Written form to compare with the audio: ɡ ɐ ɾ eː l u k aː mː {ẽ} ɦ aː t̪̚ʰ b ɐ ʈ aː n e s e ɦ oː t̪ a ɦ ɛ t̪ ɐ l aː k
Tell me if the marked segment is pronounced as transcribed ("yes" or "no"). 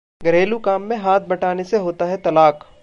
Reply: yes